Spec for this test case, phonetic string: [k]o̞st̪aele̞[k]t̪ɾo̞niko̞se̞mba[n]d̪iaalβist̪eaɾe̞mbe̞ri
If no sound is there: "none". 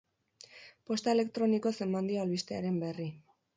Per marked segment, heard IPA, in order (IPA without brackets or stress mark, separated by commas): p, k, n